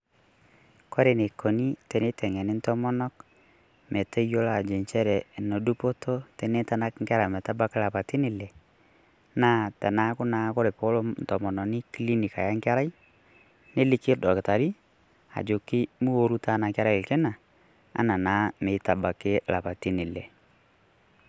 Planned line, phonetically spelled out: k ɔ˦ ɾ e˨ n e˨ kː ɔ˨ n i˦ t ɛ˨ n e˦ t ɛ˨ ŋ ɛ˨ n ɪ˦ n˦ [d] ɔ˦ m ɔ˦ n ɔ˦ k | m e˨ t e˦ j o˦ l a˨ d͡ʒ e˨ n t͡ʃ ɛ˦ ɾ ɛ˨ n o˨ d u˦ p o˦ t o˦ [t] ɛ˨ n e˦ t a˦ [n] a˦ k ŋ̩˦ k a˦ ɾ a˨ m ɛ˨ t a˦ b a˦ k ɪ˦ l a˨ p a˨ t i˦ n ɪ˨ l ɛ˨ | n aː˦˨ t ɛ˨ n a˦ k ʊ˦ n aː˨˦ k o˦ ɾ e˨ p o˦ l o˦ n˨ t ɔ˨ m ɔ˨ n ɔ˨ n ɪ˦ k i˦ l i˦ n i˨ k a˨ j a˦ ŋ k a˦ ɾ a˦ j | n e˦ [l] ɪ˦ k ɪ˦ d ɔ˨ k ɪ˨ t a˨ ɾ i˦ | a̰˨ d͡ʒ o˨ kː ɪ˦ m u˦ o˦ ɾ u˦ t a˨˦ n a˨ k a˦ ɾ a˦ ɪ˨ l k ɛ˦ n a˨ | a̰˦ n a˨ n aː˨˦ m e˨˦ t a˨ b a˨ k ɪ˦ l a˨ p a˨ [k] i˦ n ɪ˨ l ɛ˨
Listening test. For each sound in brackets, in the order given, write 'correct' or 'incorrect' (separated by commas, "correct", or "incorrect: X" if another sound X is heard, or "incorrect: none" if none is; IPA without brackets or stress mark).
incorrect: t, correct, correct, correct, incorrect: t